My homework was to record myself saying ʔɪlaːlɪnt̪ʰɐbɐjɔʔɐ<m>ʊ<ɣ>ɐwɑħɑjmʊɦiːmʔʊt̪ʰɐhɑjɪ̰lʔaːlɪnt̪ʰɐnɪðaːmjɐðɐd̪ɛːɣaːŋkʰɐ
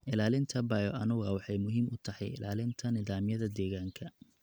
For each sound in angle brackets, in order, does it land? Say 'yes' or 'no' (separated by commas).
no, yes